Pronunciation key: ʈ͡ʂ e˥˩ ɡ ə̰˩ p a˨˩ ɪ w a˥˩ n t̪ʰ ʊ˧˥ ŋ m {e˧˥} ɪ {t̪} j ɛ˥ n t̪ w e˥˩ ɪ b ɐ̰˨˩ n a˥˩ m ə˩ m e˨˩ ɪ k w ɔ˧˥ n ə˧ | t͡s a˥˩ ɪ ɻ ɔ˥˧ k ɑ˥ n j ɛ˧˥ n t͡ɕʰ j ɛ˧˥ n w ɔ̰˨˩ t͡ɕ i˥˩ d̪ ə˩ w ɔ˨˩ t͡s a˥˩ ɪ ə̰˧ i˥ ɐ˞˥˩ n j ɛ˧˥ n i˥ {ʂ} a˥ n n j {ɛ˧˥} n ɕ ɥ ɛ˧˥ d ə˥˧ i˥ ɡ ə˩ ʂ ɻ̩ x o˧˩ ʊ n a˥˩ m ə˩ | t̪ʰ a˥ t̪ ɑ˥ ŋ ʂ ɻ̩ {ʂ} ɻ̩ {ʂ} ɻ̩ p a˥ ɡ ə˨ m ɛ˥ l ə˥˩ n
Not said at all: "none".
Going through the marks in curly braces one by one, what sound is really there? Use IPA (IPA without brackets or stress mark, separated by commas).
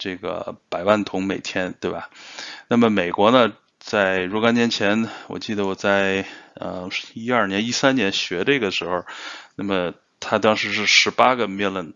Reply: e˨˩, t̪ʰ, s, ɛ˧˥, ʂ, ʂ